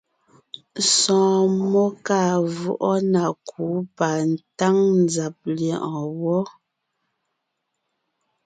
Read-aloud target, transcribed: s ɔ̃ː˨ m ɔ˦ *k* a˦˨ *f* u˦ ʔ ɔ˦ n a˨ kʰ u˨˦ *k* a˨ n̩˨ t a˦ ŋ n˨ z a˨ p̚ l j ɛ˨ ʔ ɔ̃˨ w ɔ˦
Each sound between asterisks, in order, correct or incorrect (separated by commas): correct, incorrect, incorrect